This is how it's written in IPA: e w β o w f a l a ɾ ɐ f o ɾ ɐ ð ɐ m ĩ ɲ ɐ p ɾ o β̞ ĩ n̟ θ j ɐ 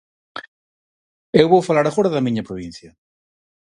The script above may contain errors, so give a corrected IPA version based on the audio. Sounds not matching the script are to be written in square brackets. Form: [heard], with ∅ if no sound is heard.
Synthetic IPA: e w β o w f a l a ɾ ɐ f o ɾ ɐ ð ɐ m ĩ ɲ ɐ p ɾ o β̞ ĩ n̟ θ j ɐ